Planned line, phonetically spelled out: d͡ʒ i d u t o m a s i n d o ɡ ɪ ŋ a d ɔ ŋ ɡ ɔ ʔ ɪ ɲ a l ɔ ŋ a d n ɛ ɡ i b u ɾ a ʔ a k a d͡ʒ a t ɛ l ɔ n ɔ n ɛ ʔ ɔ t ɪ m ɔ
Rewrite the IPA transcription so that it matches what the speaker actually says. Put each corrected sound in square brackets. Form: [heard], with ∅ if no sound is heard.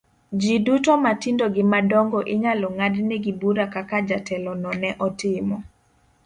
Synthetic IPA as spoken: d͡ʒ i d u t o m a [t] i n d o ɡ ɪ [m] a d ɔ ŋ ɡ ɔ ʔ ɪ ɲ a l ɔ ŋ a d n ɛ ɡ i b u ɾ a [k] a k a d͡ʒ a t ɛ l ɔ n ɔ n ɛ ʔ ɔ t ɪ m ɔ

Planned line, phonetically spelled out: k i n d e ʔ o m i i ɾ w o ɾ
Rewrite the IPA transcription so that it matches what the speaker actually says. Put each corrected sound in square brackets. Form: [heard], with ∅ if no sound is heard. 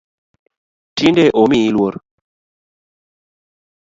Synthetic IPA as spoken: [t] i n d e ʔ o m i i [l] w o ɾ

